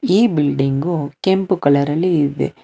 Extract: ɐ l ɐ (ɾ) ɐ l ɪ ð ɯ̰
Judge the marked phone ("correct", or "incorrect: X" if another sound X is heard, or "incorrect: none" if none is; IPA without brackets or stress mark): correct